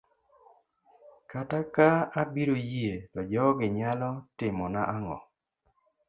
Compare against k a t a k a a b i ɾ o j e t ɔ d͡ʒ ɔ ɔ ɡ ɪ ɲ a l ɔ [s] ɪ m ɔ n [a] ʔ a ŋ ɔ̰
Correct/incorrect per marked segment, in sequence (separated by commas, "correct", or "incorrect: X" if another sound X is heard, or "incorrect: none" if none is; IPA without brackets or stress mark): incorrect: t, correct